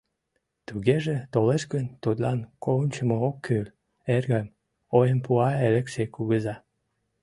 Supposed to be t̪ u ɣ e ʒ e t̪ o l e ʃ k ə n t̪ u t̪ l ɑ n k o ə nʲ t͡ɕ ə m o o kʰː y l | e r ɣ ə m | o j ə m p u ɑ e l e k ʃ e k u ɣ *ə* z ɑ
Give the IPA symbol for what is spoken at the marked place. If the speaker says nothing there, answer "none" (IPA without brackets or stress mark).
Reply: ə